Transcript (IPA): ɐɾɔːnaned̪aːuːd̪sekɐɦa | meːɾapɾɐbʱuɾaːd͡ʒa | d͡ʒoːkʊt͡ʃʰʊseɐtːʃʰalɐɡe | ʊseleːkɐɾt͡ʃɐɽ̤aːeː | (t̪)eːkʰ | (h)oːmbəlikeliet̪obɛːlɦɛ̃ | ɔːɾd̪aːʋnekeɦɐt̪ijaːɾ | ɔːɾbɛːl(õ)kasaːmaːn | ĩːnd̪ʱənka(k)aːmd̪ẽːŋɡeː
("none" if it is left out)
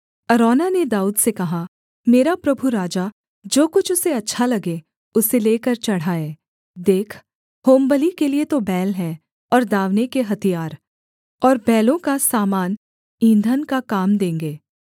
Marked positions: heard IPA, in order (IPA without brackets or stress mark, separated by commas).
d̪, h, õ, k